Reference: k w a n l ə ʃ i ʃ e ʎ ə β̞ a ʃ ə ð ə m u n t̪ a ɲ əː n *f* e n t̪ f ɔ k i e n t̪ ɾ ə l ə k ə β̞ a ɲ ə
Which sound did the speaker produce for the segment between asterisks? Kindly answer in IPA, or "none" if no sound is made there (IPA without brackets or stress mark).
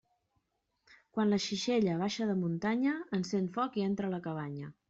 s